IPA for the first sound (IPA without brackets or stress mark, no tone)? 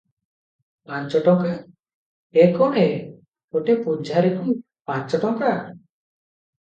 p